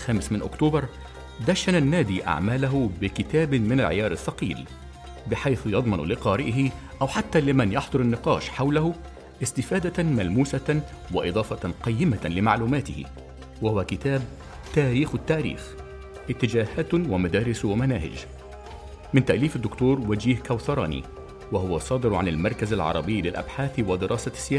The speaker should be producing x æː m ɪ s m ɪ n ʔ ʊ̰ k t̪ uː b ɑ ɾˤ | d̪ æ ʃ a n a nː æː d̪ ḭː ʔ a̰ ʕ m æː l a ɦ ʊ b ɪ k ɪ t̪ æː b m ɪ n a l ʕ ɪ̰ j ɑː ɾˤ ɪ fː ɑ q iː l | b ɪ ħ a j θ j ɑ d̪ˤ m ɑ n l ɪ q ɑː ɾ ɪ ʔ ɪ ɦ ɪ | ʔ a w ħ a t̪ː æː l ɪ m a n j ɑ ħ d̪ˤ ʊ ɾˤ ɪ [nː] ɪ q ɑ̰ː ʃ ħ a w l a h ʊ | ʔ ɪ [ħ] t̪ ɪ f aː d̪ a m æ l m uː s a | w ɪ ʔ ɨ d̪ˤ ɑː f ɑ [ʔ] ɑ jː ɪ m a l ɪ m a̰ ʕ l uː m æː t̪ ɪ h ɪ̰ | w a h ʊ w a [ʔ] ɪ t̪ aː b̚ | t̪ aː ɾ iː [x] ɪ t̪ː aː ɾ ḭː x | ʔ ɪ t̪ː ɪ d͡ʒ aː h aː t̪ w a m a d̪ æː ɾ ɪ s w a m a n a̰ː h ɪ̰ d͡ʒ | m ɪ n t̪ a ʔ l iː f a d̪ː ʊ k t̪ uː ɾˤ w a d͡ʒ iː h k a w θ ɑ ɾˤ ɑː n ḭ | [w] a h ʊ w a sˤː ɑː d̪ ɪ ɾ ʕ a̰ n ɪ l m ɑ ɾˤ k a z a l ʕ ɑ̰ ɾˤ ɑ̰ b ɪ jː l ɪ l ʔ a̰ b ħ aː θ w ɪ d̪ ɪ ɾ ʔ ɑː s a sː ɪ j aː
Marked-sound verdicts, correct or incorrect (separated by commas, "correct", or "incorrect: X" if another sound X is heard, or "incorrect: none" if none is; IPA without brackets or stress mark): correct, incorrect: s, incorrect: q, incorrect: k, correct, correct